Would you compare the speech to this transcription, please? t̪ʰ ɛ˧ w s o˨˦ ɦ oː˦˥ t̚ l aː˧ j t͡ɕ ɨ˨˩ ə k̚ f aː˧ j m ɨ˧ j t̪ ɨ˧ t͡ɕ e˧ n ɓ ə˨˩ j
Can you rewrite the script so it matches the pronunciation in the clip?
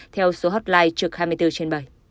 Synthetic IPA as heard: t̪ʰ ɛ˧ w s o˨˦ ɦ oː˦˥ t̚ l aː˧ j t͡ɕ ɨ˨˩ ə k̚ h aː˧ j m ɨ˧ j t̪ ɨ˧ t͡ɕ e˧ n ɓ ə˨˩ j